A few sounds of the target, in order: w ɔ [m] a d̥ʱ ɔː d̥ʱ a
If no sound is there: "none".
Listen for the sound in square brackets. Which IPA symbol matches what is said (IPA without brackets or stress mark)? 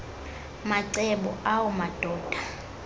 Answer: m